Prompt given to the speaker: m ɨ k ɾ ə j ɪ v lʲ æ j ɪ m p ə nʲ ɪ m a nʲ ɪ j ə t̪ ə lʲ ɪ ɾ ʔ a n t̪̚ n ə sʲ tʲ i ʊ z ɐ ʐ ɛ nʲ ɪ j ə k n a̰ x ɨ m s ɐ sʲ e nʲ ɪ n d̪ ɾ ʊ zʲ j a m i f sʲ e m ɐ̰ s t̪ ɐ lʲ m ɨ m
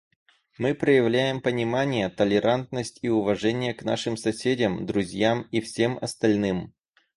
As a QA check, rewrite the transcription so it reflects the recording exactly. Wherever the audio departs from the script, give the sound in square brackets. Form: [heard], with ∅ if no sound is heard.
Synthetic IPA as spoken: m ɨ [p] ɾ ə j ɪ v lʲ æ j ɪ m p ə nʲ ɪ m a nʲ ɪ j ə t̪ ə lʲ ɪ ɾ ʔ a n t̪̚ n ə sʲ tʲ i ʊ [v] ɐ ʐ ɛ nʲ ɪ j ə k n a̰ [ʂ] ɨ m s ɐ sʲ e [dʲ] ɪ [m] d̪ ɾ ʊ zʲ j a m i f sʲ e m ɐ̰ s t̪ ɐ lʲ [n] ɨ m